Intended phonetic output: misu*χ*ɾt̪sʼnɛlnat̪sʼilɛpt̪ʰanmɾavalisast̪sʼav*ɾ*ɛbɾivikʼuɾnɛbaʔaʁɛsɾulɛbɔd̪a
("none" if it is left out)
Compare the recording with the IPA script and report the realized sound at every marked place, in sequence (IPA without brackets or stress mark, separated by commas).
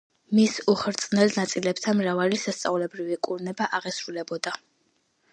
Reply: χ, l